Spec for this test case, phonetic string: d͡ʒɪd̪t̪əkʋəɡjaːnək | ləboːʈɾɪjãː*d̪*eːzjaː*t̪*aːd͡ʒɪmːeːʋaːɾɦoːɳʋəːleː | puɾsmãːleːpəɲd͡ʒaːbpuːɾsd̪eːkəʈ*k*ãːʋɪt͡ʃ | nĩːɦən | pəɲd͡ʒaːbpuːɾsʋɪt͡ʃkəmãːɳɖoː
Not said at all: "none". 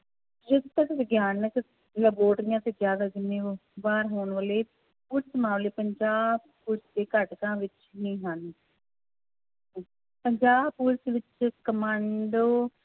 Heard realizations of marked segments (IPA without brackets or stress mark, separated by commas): t̪, d̪, k